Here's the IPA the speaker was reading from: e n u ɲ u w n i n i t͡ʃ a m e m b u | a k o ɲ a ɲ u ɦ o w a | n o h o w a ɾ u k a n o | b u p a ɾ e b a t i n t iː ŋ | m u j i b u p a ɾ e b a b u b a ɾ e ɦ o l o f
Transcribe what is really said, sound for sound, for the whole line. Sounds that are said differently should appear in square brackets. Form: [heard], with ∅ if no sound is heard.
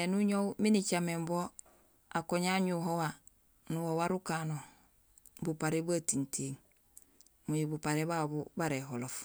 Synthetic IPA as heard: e n u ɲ [o] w [m] i n i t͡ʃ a m e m b [o] | a k o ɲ a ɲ u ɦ o w a | n [u] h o w a ɾ u k a n o | b u p a ɾ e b a t i n t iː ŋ | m u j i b u p a ɾ e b a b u b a ɾ e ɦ o l o f